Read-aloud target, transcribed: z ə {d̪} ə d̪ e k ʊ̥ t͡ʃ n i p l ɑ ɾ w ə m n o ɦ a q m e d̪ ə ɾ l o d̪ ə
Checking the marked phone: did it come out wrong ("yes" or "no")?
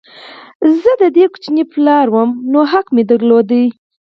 no